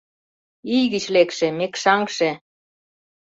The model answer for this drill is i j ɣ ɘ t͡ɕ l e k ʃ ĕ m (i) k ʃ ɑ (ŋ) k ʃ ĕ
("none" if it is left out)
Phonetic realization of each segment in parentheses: e, ŋ

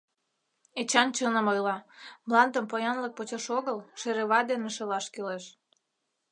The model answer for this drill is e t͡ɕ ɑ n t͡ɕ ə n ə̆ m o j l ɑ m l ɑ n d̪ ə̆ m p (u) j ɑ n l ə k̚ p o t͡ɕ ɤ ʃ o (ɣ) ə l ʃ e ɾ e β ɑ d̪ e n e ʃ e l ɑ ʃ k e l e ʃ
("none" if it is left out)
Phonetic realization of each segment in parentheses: o, ɣ

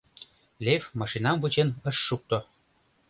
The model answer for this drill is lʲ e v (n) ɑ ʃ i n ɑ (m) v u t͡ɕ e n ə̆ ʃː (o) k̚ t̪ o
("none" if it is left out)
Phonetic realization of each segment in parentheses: m, m, u

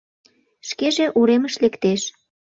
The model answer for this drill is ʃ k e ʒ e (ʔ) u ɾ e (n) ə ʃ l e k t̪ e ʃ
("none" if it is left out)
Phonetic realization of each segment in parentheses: ʔ, m

